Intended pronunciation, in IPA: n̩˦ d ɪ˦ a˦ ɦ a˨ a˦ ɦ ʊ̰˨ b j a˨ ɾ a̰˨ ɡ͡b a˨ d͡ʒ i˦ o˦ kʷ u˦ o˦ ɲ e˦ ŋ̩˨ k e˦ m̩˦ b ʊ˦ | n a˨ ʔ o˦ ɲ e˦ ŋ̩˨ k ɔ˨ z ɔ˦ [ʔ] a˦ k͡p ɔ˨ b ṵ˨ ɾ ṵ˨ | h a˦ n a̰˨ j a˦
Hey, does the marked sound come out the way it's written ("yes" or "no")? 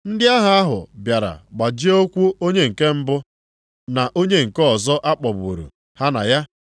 yes